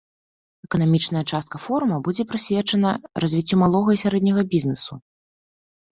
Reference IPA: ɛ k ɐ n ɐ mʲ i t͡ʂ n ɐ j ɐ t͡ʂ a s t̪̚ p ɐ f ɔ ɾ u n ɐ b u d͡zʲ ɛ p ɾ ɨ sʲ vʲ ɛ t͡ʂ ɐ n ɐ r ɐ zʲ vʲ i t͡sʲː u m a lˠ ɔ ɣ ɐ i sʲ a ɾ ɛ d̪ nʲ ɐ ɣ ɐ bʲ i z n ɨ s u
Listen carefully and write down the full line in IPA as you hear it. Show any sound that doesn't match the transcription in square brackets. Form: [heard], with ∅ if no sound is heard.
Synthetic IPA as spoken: ɛ k ɐ n [a] mʲ i t͡ʂ n ɐ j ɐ t͡ʂ a s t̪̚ [k] ɐ f ɔ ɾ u [m] ɐ b u d͡zʲ ɛ p ɾ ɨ sʲ vʲ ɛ t͡ʂ ɐ n ɐ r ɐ zʲ vʲ i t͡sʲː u m a lˠ ɔ ɣ ɐ i sʲ a ɾ ɛ d̪ nʲ ɐ ɣ ɐ bʲ i z n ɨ s u